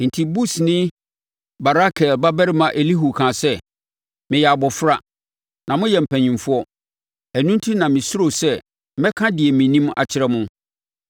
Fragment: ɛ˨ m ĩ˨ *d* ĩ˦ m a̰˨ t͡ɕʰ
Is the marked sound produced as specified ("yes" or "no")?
no